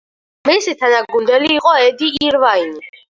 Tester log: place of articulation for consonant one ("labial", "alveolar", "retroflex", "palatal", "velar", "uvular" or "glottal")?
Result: labial